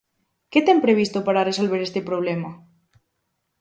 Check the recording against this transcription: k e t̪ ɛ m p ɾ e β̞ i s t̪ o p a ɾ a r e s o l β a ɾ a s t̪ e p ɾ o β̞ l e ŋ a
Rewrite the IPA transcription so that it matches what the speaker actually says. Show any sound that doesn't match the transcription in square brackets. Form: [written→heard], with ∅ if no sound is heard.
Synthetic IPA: k e t̪ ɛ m p ɾ e β̞ i s t̪ o p a ɾ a r e s o l β [a→e] ɾ [a→e] s t̪ e p ɾ o β̞ l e [ŋ→m] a

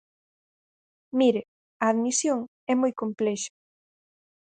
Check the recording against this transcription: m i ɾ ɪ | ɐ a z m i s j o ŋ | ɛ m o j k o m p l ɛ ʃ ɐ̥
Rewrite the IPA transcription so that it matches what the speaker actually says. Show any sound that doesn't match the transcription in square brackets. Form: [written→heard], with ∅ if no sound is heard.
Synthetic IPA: m i ɾ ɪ | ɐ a [z→ð] m i s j o ŋ | ɛ m o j k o m p l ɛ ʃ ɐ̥

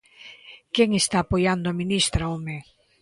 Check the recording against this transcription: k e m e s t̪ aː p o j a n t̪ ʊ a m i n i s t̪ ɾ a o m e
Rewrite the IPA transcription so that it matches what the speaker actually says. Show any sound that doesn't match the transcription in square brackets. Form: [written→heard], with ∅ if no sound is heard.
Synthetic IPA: k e [m→ŋ] e s t̪ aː p o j a n [t̪→d̪] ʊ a m i n i s t̪ ɾ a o m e

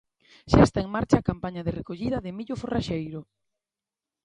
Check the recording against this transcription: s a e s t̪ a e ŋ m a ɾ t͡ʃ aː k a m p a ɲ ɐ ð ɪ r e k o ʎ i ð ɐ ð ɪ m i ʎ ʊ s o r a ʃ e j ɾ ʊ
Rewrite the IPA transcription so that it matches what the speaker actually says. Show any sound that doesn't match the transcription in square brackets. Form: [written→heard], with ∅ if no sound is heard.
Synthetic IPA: [s→ʃ] a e s t̪ a e ŋ m a ɾ t͡ʃ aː k a m p a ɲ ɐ ð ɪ r e k o ʎ i ð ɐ ð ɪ m i ʎ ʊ [s→f] o r a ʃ e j ɾ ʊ

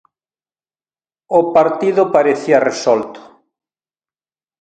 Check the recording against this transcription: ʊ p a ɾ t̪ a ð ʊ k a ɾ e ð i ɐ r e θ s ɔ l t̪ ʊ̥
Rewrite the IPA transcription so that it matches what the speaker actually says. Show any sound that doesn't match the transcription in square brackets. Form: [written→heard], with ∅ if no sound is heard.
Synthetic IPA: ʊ p a ɾ t̪ [a→i] ð ʊ [k→p] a ɾ e [ð→θ] i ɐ r e [θ→∅] s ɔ l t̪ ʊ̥

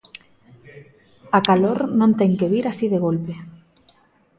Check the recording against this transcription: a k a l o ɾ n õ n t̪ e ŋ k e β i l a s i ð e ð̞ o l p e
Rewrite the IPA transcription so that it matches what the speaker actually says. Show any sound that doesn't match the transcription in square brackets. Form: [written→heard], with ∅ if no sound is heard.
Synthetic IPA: a k a l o ɾ n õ n t̪ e ŋ k e β i [l→ɾ] a s i ð e [ð̞→ɣ̞] o l p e

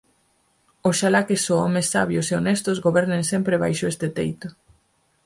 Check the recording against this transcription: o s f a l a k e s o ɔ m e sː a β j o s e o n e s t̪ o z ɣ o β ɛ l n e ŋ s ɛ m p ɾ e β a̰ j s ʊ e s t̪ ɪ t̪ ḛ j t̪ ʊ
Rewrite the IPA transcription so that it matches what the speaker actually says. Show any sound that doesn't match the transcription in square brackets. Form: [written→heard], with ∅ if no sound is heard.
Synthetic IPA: o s [f→ʃ] a l a k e s o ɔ m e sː a β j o s e o n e s t̪ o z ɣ o β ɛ [l→ɾ] n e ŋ s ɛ m p ɾ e β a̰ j [s→ʃ] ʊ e s t̪ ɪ t̪ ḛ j t̪ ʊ

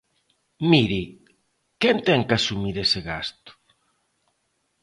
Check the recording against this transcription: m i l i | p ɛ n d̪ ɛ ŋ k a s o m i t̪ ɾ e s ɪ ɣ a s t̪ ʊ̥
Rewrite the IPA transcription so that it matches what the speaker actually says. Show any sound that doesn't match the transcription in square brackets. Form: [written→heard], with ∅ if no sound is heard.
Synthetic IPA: m i [l→ɾ] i | [p→k] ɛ n [d̪→t̪] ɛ ŋ k a s [o→u] m i [t̪→∅] ɾ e s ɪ ɣ a s t̪ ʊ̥

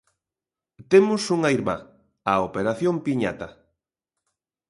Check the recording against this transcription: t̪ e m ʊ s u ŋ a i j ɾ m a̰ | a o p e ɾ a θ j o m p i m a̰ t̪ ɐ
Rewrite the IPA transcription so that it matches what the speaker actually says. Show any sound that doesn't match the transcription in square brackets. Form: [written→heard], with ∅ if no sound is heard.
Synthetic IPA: t̪ e m ʊ s u ŋ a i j ɾ m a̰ | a o p e ɾ a θ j o m p i [m→ɲ] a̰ t̪ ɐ

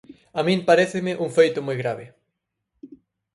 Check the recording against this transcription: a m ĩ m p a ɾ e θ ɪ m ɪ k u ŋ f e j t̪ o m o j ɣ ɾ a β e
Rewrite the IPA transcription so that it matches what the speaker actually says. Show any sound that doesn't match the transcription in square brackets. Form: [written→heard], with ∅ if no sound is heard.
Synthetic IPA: a m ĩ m p a ɾ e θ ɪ m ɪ [k→ʔ] u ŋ f e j t̪ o m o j ɣ ɾ a β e

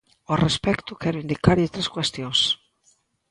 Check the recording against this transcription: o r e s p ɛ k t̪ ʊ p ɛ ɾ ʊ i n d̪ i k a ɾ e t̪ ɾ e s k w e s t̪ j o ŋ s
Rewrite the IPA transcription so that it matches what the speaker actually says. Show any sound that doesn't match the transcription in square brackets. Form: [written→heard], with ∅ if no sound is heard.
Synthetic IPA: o r e s p ɛ k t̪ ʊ [p→k] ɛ ɾ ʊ i n d̪ i k a ɾ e t̪ ɾ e s k w e s t̪ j o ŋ s

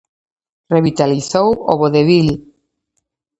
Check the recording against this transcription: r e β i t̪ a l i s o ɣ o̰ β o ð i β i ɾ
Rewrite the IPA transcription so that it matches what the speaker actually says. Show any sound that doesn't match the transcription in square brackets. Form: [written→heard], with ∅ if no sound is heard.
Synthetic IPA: r e β i t̪ a l i [s→θ] o [ɣ→w] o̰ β o ð [i→e] β i [ɾ→l]

